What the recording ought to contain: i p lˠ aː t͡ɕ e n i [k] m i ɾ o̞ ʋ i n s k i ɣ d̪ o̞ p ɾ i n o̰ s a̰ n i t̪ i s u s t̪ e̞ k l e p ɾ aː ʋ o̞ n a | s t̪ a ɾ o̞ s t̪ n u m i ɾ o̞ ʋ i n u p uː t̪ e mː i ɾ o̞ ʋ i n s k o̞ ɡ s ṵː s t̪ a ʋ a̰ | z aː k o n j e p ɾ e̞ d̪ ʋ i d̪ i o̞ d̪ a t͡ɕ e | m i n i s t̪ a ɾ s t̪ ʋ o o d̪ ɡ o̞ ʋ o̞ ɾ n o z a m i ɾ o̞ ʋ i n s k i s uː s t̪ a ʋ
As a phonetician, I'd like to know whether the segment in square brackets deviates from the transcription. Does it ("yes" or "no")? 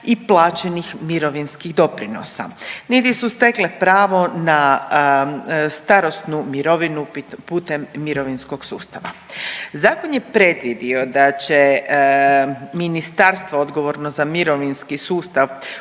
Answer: yes